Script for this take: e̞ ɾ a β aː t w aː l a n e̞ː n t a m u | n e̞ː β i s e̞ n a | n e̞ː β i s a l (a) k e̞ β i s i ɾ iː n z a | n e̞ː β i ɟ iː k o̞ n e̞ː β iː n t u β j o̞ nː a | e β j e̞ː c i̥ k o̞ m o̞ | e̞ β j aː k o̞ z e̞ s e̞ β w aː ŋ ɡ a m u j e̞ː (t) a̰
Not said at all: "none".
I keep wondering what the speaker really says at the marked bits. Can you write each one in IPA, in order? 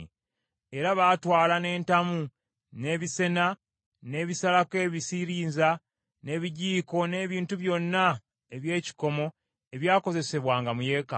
a, k

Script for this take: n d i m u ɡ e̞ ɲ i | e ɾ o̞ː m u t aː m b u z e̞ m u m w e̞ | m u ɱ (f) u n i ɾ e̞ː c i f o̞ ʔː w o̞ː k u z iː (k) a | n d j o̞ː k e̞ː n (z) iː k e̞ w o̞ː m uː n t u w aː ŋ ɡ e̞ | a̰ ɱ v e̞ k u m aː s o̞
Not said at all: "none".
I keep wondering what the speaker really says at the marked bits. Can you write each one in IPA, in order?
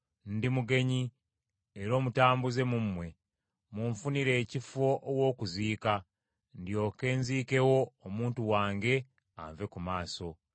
f, k, z

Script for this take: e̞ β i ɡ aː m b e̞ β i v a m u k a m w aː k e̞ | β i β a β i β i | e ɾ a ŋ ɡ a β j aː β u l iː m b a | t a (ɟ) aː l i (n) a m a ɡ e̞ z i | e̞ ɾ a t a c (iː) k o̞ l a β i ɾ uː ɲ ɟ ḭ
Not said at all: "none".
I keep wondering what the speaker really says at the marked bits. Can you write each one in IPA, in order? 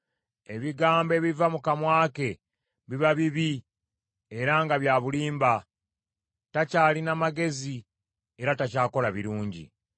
c, n, aː

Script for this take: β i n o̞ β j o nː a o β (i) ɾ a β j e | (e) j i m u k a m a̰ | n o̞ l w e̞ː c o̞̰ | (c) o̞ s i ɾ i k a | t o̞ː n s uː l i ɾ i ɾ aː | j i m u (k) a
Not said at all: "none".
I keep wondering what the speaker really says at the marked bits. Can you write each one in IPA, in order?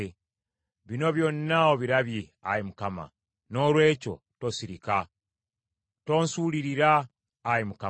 i, a, t, k

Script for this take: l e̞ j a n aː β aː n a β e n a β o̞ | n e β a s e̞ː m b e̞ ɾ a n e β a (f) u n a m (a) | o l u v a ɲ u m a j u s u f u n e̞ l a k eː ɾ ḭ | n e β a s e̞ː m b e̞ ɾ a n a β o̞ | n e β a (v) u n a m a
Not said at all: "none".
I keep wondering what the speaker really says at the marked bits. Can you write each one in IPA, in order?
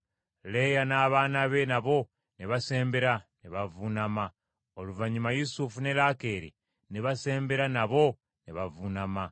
v, a, v

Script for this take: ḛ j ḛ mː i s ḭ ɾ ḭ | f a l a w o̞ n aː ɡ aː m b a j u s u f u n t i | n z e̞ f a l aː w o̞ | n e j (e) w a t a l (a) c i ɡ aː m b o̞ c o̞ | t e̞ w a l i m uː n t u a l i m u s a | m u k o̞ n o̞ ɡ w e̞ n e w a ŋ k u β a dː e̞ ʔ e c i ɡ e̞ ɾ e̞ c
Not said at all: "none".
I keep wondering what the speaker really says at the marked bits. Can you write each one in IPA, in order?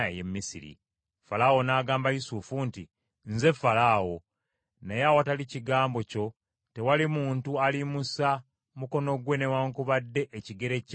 a, i

